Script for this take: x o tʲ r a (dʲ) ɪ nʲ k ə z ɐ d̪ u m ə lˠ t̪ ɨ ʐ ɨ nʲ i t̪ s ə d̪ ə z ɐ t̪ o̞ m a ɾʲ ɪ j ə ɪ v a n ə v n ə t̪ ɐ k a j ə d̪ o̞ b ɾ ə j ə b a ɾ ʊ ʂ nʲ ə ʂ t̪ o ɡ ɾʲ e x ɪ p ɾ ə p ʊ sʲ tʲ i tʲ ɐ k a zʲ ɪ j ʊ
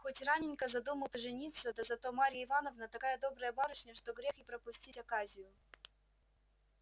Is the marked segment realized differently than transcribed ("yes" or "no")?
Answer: yes